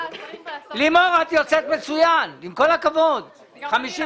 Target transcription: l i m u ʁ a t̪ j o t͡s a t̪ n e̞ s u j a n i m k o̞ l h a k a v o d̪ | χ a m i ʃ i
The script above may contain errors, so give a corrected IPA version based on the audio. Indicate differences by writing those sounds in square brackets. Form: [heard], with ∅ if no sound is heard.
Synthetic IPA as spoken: l i m [o] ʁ a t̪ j o t͡s [e] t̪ [m] e̞ [t͡s] u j a n i m k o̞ l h a k a v o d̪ | χ a m i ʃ i